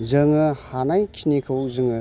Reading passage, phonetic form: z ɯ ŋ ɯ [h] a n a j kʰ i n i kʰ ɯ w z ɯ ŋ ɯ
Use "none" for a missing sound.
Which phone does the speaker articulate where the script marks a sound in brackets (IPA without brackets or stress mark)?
h